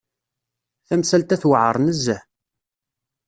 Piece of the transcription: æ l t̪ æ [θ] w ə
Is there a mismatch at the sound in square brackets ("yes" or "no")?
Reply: no